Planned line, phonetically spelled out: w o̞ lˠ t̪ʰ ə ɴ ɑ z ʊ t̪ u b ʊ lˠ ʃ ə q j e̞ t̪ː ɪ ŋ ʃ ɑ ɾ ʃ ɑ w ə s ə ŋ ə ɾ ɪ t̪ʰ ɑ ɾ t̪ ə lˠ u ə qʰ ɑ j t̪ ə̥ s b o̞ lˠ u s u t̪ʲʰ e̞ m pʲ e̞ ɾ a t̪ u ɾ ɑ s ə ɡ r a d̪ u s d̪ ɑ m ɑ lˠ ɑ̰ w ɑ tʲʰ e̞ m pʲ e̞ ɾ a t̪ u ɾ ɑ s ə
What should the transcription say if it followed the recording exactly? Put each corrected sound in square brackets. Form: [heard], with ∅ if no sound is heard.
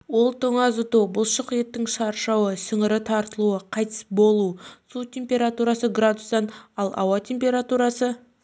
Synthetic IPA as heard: w o̞ lˠ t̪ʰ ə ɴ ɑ z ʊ t̪ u b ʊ lˠ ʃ ə q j e̞ t̪ː ɪ ŋ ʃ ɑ ɾ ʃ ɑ w ə s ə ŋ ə ɾ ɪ t̪ʰ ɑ ɾ t̪ ə lˠ u ə qʰ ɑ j t̪ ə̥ s b o̞ lˠ u s u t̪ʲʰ e̞ m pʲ e̞ ɾ a t̪ u ɾ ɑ s ə ɡ r a d̪ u s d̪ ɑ [n] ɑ lˠ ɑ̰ w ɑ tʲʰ e̞ m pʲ e̞ ɾ a t̪ u ɾ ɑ s ə